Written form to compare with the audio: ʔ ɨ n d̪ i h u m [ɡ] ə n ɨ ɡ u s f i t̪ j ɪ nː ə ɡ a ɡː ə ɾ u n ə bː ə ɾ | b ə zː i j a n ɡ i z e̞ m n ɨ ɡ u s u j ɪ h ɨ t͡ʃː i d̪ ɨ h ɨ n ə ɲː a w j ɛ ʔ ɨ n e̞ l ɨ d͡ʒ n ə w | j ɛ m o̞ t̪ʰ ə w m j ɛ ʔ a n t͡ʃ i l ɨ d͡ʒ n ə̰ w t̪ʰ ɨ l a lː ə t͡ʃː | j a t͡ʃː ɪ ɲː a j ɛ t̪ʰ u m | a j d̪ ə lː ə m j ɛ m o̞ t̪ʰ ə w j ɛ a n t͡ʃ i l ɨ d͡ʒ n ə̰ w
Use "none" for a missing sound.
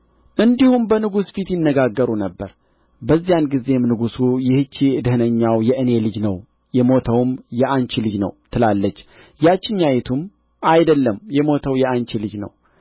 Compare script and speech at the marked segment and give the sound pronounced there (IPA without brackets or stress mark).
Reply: b